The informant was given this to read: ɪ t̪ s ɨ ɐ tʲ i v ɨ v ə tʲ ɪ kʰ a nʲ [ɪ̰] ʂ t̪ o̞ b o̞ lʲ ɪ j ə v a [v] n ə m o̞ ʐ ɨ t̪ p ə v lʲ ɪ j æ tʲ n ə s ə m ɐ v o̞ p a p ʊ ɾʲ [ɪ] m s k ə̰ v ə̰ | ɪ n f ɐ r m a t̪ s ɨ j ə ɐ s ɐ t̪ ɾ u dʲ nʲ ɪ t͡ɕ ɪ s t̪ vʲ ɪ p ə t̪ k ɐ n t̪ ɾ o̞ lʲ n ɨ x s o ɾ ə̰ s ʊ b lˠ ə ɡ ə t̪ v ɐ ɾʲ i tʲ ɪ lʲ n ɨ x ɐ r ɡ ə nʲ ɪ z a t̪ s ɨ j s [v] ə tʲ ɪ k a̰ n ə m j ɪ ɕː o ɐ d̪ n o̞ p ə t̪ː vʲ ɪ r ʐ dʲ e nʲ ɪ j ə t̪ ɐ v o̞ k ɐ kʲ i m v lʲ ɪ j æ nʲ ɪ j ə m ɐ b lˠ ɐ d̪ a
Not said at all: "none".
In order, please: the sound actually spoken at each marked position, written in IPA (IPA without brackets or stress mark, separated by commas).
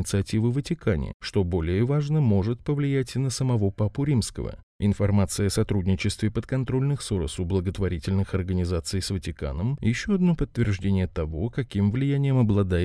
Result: ɪ̰, ʐ, i, v